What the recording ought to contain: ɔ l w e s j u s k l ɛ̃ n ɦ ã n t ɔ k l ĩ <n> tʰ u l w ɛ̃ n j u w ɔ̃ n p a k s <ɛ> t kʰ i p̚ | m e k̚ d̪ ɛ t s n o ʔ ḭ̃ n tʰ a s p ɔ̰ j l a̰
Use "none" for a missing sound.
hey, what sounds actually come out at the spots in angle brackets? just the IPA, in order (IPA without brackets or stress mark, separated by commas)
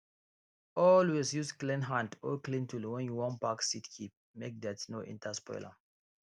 n, i